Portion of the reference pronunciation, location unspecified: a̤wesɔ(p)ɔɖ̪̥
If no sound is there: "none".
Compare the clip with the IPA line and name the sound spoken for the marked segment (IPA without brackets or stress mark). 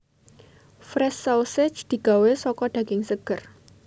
k